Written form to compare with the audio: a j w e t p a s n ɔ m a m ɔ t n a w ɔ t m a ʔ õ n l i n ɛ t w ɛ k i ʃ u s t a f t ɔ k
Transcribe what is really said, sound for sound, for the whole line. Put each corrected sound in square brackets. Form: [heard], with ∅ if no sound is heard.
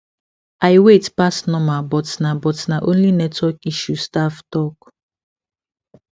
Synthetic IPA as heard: a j w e t p a s n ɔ m a [b] ɔ t n a [b] ɔ t [n] a ʔ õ n l i n ɛ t w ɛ k i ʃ u s t a f t ɔ k